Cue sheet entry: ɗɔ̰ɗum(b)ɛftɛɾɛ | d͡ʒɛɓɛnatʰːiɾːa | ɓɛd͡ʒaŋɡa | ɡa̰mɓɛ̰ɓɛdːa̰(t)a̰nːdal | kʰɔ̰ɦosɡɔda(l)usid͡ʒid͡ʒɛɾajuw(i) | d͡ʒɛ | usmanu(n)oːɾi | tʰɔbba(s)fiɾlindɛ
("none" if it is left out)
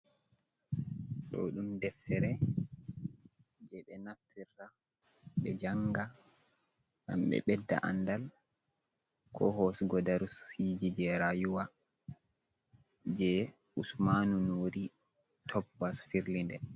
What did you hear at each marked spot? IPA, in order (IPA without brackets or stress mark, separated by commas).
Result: d, ʔ, ɾ, a, n, s